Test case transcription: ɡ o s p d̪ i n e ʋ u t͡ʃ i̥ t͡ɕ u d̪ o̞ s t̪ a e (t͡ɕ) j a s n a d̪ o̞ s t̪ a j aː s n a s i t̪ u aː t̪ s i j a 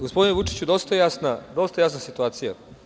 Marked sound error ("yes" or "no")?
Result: yes